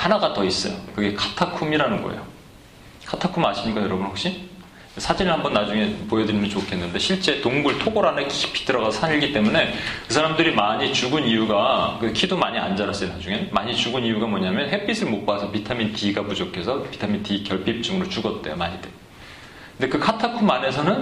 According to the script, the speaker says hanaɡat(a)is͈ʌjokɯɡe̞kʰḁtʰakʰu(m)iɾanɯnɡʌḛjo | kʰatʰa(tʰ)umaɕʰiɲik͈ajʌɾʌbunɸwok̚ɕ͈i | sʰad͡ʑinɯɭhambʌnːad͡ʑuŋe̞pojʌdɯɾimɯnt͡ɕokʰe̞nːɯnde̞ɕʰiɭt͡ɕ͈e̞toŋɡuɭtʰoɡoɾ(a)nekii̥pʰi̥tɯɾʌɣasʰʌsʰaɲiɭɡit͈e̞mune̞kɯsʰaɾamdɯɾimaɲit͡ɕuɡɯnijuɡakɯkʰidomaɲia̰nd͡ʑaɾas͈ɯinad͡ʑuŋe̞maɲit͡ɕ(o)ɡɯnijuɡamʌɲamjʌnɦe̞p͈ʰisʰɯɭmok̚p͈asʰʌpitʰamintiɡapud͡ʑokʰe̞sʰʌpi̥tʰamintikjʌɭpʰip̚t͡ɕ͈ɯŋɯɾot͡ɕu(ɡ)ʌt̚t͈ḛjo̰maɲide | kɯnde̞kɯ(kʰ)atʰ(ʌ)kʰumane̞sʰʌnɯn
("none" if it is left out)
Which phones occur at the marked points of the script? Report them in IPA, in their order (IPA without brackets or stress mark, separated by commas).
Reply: ʌ, m, kʰ, a, u, ɡ, kʰ, a